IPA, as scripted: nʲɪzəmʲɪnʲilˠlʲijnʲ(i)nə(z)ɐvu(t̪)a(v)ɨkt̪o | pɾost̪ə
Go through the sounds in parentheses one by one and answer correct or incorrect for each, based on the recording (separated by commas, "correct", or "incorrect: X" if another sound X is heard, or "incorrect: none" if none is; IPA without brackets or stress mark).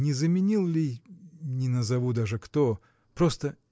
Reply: incorrect: ɪ, correct, incorrect: d̪, incorrect: ʐ